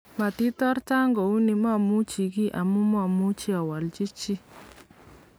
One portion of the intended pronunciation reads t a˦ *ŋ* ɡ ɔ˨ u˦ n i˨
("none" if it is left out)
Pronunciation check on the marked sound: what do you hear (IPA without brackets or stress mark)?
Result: ŋ